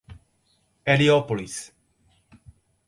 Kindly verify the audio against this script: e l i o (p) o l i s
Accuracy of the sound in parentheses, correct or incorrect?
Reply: correct